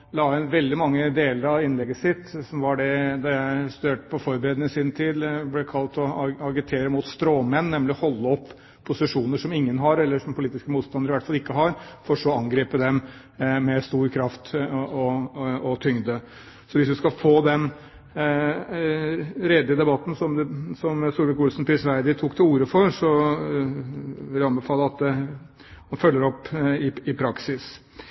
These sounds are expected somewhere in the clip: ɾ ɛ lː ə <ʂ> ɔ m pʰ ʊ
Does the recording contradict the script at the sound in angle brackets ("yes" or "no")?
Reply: no